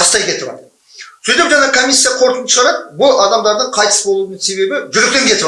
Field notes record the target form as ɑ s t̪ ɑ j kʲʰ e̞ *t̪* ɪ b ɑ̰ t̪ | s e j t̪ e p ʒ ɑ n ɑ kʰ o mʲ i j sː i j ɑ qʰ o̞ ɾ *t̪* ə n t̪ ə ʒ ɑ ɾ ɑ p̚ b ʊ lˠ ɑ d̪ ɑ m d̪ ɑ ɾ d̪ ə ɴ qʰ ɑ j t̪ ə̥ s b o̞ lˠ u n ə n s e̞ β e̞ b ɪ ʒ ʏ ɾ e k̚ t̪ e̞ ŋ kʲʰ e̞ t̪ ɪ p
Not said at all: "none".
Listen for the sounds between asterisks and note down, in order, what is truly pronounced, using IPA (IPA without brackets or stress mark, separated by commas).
t̪, t̪